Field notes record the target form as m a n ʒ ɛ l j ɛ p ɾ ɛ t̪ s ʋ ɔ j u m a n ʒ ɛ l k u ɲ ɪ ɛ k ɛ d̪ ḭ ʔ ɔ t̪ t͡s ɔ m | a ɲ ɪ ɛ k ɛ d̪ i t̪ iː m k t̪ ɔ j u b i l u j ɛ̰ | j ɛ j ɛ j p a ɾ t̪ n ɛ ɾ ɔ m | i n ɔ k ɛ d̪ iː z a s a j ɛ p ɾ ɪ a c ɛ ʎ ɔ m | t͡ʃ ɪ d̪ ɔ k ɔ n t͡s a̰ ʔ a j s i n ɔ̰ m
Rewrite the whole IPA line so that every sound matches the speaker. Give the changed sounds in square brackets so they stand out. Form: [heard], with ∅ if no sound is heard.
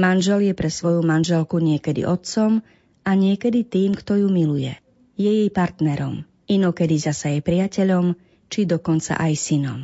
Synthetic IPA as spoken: m a n ʒ ɛ l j ɛ p ɾ ɛ [∅] s ʋ ɔ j u m a n ʒ ɛ l k u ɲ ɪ ɛ k ɛ d̪ ḭ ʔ ɔ t̪ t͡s ɔ m | a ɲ ɪ ɛ k ɛ d̪ i t̪ iː m k t̪ ɔ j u [m] i l u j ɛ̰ | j ɛ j ɛ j p a ɾ t̪ n ɛ ɾ ɔ m | i n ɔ k ɛ d̪ [i] z a s a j ɛ p ɾ ɪ a c ɛ ʎ ɔ m | t͡ʃ [i] d̪ ɔ k ɔ n t͡s a̰ ʔ a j s i n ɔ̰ m